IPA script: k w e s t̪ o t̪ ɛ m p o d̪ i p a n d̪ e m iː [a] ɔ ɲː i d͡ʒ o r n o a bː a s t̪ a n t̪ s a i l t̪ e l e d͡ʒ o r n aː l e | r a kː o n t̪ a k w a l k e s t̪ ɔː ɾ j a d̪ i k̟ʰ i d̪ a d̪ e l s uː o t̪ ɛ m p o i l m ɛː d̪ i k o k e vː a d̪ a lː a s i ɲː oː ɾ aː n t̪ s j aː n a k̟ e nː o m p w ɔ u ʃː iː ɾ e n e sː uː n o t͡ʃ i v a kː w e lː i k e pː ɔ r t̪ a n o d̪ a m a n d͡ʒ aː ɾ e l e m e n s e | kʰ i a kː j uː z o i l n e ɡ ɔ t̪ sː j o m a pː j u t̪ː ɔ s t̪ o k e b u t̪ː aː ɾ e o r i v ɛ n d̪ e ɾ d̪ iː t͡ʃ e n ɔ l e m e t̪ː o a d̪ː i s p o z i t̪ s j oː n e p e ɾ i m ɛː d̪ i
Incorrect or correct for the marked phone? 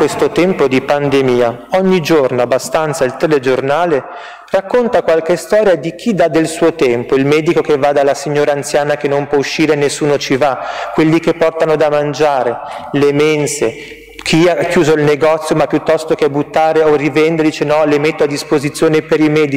correct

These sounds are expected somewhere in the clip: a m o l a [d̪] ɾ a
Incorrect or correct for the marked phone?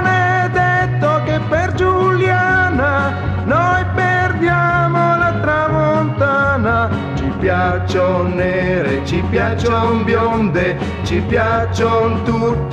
incorrect: t̪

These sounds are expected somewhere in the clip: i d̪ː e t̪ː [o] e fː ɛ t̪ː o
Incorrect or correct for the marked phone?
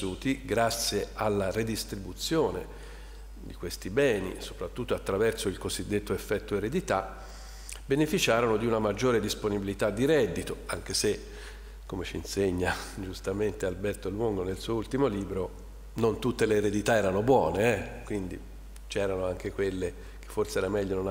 correct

